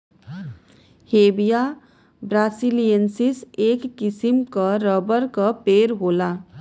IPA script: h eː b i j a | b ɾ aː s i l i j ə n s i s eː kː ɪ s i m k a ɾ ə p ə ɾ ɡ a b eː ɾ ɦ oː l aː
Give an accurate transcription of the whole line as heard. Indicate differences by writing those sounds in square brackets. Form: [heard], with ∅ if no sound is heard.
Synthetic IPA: h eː b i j a | b ɾ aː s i l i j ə n s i s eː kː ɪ s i m k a ɾ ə [b] ə ɾ [k] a [p] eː ɾ ɦ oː l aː